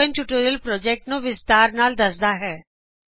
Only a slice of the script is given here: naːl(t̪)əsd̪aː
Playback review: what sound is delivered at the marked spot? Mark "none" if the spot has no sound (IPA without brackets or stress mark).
d̪